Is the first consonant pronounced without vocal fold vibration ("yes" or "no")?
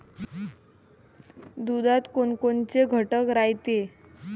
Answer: no